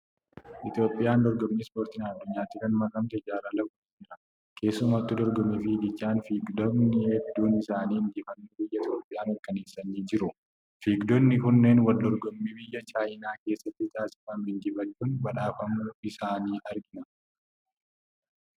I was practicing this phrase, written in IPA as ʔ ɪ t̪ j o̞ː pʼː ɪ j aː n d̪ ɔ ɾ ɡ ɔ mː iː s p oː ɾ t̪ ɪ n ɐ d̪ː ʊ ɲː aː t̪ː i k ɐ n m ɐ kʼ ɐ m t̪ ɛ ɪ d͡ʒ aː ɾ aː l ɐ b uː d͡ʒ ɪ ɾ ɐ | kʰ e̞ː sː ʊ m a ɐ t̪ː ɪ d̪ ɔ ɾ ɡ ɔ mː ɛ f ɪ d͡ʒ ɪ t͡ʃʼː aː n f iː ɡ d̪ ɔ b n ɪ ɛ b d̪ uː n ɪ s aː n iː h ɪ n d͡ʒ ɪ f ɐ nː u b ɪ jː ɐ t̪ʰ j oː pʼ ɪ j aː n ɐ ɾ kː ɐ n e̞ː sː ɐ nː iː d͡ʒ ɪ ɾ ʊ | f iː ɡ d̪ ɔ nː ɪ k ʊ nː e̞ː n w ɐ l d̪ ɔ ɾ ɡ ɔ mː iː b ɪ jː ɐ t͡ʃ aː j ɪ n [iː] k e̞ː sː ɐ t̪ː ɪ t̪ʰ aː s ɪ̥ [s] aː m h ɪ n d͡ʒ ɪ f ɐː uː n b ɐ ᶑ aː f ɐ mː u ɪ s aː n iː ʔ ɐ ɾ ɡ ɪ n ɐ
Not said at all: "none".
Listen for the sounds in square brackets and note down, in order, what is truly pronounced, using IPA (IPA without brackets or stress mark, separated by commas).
aː, f